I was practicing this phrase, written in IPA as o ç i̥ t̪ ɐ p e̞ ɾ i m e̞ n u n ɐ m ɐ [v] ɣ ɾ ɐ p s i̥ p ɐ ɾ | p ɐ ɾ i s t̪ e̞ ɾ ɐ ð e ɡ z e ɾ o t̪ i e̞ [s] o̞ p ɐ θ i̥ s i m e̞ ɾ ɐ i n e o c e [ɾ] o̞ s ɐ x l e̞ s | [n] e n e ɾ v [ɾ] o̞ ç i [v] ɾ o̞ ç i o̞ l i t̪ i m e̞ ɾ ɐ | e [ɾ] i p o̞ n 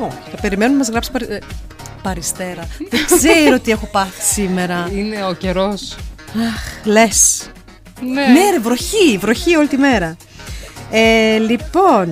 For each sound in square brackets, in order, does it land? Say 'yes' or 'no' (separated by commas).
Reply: no, no, yes, yes, yes, yes, no